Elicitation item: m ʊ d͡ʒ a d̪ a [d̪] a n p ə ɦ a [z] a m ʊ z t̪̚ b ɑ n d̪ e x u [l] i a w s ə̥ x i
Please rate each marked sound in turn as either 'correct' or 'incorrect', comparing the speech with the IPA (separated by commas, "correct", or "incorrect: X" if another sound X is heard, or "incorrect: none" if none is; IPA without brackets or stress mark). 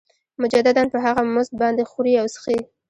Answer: correct, incorrect: ɣ, incorrect: ɾ